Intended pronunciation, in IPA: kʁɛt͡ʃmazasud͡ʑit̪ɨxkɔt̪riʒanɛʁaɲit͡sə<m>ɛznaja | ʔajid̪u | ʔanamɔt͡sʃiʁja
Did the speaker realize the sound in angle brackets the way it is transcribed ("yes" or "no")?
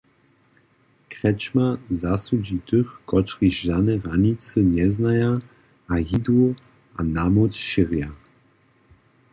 no